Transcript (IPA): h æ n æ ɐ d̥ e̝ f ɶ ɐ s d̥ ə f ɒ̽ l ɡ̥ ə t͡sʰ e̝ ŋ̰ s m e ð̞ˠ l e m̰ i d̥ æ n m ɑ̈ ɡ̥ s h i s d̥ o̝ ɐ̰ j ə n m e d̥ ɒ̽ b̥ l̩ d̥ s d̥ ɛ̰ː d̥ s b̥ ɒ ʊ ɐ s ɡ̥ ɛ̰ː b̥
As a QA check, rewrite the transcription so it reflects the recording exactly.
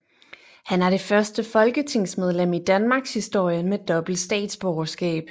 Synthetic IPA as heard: h æ n æ ɐ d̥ e̝ f ɶ ɐ s d̥ ə f ɒ̽ l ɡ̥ ə t͡sʰ e̝ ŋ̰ s m e ð̞ˠ l e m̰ i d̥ æ n m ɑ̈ ɡ̥ s h i s d̥ o̝ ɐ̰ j ə n m e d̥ ɒ̽ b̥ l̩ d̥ s d̥ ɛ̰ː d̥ s b̥ ɒ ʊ ɐ s ɡ̥ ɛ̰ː b̥